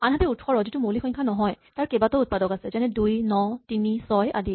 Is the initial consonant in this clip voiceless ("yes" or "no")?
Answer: no